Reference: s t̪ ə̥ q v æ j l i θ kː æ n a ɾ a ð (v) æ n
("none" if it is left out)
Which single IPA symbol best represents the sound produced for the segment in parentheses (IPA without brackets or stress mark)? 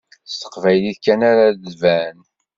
v